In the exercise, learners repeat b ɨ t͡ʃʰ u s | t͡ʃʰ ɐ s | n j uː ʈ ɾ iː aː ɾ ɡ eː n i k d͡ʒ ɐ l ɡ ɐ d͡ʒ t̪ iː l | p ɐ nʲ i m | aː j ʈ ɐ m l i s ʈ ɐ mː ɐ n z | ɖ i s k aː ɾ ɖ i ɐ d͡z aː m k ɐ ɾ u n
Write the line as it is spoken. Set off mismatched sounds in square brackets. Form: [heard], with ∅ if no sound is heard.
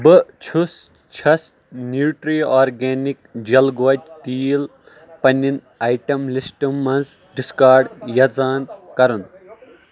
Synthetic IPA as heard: b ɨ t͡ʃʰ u s | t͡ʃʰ ɐ s | n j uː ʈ ɾ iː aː ɾ ɡ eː n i k d͡ʒ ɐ l ɡ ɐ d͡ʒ t̪ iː l | p ɐ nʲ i [n] | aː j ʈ ɐ m l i s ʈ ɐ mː ɐ n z | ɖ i s k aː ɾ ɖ [j] ɐ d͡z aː [n] k ɐ ɾ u n